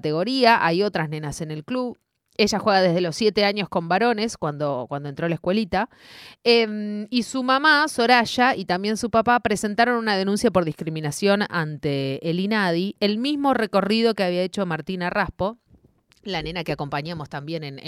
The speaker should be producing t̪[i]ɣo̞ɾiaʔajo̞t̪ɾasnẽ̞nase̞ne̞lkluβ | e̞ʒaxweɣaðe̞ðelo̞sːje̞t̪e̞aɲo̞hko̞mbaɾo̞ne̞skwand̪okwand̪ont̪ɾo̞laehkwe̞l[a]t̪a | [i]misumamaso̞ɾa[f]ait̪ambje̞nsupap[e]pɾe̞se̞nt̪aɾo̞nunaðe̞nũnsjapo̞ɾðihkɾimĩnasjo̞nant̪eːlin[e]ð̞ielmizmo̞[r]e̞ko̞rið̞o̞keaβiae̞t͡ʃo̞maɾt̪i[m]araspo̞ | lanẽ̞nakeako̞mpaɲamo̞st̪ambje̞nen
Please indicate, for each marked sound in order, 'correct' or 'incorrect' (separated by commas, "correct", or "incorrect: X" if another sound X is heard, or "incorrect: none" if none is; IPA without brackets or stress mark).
incorrect: e, incorrect: i, incorrect: e, incorrect: ʃ, incorrect: a, incorrect: a, correct, incorrect: n